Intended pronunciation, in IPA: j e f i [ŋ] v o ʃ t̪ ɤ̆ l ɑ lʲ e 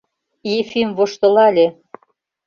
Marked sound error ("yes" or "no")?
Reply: yes